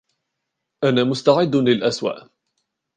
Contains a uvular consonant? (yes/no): no